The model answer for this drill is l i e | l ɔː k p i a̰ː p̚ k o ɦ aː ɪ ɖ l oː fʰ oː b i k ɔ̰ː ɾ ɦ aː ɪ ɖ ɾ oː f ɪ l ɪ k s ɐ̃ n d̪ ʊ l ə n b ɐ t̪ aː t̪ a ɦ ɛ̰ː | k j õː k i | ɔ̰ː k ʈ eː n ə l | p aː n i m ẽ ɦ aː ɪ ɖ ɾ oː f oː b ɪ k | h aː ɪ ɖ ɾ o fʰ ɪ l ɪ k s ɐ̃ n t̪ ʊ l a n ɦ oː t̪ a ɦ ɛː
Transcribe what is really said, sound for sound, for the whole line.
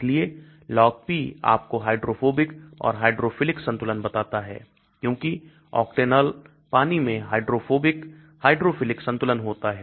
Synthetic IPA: l i e | l ɔː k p i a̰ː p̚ k o ɦ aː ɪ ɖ ɾ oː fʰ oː b ɪ k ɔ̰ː ɾ ɦ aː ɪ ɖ ɾ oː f ɪ l ɪ k s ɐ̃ n t̪ ʊ l ə n b ɐ t̪ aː t̪ a ɦ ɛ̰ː | k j õː k i | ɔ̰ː k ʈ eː n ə l | p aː n i m ẽ ɦ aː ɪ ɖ ɾ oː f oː b ɪ k | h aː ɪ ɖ ɾ o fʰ ɪ l ɪ k s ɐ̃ n t̪ ʊ l ə n ɦ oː t̪ a ɦ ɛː